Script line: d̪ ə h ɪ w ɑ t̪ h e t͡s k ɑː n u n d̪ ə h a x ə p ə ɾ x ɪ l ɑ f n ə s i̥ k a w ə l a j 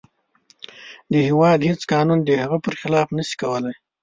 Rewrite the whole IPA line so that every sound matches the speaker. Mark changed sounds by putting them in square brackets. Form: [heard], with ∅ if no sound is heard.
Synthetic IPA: d̪ ə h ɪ w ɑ [d̪] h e t͡s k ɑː n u n d̪ ə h a [ɣ] ə p ə ɾ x ɪ l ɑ f n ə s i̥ k a w ə l a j